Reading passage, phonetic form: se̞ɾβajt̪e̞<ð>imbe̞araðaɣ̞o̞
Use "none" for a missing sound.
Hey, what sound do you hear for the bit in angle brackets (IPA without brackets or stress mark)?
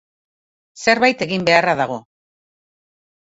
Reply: ɣ